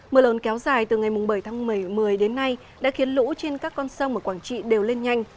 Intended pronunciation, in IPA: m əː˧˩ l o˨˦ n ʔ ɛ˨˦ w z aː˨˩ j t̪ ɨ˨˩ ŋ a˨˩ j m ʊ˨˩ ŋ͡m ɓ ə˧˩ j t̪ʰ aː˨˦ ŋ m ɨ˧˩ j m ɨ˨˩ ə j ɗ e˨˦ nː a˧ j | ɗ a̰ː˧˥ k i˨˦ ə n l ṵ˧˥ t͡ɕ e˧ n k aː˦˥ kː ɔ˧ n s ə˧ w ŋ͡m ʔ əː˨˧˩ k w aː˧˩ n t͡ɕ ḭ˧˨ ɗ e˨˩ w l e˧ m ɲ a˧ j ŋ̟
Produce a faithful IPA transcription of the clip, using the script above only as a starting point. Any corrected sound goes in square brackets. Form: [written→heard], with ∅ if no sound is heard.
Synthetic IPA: m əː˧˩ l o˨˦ n [ʔ→k] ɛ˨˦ w z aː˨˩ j t̪ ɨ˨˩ ŋ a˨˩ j m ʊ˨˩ ŋ͡m ɓ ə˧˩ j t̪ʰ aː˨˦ ŋ m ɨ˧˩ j m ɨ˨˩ ə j ɗ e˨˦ nː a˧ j | ɗ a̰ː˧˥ [k→x] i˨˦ ə n l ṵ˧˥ t͡ɕ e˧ n k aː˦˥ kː ɔ˧ n s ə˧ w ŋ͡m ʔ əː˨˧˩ k w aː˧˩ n t͡ɕ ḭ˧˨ ɗ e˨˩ w l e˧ [m→n] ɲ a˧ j ŋ̟

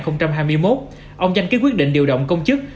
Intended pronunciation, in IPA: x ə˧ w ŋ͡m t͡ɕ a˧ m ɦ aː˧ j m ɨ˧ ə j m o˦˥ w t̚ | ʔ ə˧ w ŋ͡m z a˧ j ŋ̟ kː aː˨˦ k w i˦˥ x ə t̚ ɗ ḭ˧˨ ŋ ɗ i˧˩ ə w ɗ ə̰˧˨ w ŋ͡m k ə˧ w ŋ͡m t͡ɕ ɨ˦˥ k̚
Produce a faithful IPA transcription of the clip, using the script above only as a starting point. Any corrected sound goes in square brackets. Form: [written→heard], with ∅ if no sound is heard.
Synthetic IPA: x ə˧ w ŋ͡m t͡ɕ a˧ m ɦ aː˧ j m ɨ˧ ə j m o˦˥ [w→∅] t̚ | ʔ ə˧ w ŋ͡m z a˧ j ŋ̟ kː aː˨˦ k w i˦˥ [x→∅] ə t̚ ɗ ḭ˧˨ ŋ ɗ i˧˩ ə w ɗ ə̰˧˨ w ŋ͡m k ə˧ w ŋ͡m t͡ɕ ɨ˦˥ k̚

